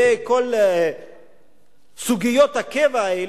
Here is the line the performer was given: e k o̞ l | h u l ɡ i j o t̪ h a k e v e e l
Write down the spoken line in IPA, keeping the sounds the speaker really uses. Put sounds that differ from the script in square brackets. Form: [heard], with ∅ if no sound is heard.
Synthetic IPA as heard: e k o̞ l | [s] u [∅] ɡ i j o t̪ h a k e v [a] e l